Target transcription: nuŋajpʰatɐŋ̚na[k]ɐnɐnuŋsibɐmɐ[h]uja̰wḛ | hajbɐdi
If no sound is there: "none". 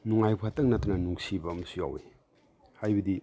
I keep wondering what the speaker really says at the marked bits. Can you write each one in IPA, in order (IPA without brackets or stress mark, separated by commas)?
t, s